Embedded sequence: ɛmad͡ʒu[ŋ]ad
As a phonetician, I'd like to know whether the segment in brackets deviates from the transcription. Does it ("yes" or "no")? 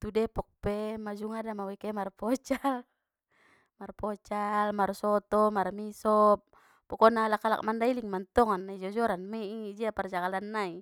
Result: no